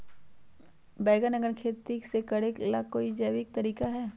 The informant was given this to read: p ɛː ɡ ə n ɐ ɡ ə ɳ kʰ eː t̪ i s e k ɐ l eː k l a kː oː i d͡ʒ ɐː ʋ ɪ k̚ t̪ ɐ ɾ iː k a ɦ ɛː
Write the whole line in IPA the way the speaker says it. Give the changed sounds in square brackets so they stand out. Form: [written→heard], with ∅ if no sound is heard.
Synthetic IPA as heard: [p→b] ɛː ɡ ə n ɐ ɡ ə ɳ kʰ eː t̪ i s e k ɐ [l→ɽ] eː k l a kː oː i d͡ʒ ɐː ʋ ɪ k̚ t̪ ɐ ɾ iː k a ɦ ɛː